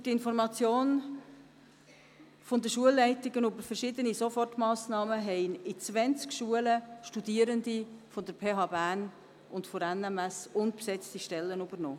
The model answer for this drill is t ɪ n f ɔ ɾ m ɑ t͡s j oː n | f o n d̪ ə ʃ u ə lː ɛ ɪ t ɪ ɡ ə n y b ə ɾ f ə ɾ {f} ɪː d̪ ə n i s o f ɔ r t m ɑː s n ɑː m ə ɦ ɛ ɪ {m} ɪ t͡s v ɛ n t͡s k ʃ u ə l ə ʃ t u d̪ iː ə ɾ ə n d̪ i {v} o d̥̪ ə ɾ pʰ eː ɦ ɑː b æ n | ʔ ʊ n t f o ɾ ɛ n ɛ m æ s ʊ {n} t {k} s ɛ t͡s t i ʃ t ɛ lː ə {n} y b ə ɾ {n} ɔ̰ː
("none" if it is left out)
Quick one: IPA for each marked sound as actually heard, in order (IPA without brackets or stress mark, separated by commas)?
ʃ, n, f, n, p, n, n